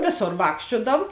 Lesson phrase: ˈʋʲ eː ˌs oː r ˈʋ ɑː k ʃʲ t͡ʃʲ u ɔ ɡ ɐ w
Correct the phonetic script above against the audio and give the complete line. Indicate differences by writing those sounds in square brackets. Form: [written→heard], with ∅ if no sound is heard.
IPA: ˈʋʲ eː ˌs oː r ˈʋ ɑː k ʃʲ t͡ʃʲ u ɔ [ɡ→d] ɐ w